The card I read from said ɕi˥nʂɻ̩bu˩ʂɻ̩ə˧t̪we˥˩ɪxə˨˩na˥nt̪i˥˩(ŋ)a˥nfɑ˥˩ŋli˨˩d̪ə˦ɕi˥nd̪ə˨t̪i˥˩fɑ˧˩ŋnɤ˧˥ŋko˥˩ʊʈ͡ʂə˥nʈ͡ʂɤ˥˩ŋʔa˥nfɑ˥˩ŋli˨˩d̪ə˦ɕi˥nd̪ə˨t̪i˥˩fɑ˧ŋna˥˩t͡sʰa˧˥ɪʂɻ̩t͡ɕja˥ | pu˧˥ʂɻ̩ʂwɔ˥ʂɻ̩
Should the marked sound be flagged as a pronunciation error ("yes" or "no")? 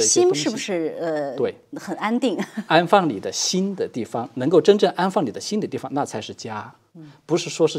no